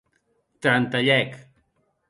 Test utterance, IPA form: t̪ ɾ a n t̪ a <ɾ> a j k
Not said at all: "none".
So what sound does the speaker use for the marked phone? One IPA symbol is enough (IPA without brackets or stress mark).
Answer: ʎ